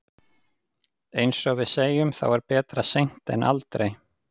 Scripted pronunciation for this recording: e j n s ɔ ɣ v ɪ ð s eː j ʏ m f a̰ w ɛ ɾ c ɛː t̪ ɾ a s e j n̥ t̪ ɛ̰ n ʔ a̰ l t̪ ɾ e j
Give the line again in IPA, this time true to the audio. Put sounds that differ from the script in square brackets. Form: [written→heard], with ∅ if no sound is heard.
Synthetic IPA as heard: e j n s ɔ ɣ v ɪ ð s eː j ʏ m [f→θ] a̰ w ɛ ɾ [c→p] ɛː t̪ ɾ a s e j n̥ t̪ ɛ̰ n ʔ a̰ l t̪ ɾ e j

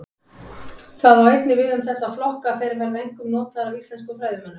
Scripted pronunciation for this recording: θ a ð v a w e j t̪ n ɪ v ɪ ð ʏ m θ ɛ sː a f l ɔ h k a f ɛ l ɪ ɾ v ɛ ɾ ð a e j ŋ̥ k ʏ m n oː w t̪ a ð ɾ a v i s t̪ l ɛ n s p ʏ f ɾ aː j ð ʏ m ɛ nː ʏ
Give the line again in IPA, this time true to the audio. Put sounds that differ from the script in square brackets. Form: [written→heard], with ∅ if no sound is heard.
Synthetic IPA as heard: θ a ð v a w e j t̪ n ɪ v ɪ ð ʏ m θ ɛ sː a f l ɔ h k a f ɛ [l→ɾ] ɪ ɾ v ɛ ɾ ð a e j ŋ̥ k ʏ m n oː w t̪ a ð ɾ a v i s t̪ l ɛ n s [p→k] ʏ f ɾ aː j ð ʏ m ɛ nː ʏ

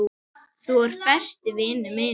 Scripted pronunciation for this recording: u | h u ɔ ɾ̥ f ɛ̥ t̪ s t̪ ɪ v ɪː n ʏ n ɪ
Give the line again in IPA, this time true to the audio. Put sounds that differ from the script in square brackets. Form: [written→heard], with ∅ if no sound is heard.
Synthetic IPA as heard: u | [h→θ] u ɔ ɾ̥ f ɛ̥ [t̪→∅] s t̪ ɪ v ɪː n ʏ [n→m] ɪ

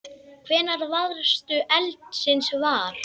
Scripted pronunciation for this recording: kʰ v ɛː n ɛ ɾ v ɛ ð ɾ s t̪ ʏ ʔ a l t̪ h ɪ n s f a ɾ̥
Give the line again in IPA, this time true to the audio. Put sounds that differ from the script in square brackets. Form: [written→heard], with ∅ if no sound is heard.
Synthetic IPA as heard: kʰ v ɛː n [ɛ→a] ɾ v [ɛ→a] ð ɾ s t̪ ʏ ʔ [a→ɛ] l t̪ [h→s] ɪ n s [f→v] a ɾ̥

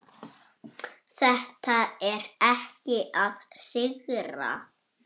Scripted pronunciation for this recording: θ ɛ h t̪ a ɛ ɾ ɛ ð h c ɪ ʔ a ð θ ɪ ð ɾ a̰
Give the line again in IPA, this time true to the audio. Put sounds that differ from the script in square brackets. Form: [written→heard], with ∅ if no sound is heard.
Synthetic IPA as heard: θ ɛ h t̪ a ɛ ɾ ɛ [ð→∅] h c ɪ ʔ a ð [θ→s] ɪ [ð→ɣ] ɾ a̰

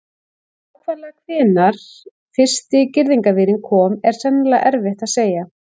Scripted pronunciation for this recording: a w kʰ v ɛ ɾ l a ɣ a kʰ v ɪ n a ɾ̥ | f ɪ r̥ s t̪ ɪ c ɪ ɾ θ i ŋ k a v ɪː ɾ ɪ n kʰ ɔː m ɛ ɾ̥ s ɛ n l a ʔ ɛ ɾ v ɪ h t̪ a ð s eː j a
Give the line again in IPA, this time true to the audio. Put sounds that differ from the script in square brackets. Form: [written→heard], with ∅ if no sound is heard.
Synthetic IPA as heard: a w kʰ v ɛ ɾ l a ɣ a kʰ v [ɪ→ɪː] n a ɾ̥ | f ɪ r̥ s t̪ ɪ c ɪ ɾ [θ→ð] i ŋ k a v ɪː ɾ ɪ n kʰ ɔː m ɛ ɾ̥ s ɛ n l a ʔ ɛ ɾ v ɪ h t̪ a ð s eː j a

